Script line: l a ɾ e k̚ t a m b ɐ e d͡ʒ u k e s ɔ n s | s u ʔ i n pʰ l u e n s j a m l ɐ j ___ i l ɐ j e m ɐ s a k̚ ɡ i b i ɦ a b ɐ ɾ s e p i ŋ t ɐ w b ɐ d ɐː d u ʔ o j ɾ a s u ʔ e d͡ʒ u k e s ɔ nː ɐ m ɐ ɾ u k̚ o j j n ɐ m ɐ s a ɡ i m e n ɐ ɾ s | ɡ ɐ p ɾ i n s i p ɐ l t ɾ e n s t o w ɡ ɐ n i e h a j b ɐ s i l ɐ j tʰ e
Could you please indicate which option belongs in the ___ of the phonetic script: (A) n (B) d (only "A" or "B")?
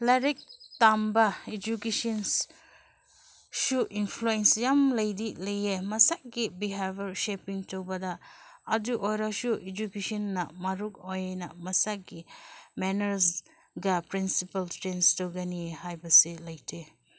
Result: B